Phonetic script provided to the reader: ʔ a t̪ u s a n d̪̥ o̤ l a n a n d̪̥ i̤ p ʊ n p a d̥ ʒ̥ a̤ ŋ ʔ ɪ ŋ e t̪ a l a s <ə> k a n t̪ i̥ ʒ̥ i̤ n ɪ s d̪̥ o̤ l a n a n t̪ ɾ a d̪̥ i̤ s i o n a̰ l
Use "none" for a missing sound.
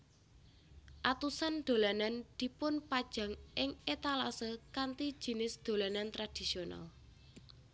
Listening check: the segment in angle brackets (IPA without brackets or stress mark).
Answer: ə